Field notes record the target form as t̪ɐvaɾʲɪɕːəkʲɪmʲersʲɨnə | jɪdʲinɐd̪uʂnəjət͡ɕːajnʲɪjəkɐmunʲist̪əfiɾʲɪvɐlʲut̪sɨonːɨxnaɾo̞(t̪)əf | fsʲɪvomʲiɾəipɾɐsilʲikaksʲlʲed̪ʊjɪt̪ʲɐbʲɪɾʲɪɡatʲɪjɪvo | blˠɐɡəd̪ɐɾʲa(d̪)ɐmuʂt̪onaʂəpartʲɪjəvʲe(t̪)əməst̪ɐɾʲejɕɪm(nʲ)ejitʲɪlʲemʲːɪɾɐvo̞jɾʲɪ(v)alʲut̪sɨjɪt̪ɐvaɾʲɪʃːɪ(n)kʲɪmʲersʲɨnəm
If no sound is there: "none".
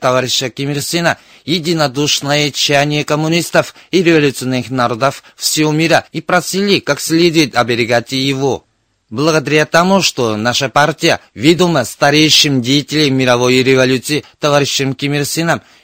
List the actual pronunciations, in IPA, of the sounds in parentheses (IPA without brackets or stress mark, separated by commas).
d̪, t̪, d̪, dʲ, v, m